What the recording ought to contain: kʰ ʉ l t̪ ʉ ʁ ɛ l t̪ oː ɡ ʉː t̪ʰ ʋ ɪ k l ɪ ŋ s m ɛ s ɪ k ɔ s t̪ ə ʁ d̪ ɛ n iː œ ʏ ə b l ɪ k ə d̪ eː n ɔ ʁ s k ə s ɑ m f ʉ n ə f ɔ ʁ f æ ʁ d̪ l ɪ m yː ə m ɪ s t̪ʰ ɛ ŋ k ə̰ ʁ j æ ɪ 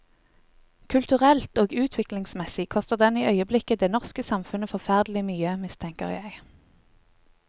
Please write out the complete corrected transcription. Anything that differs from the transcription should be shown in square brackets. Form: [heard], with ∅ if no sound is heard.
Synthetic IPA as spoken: kʰ ʉ l t̪ ʉ ʁ ɛ l t̪ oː ɡ ʉː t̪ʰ ʋ ɪ k l ɪ ŋ s m ɛ s ɪ [kʰ] ɔ s t̪ ə ʁ d̪ ɛ n iː œ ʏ ə b l ɪ k ə d̪ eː n ɔ ʁ s k ə s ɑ m f ʉ n ə f ɔ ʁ f æ ʁ d̪ l ɪ m yː ə m ɪ s t̪ʰ ɛ ŋ k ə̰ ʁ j æ ɪ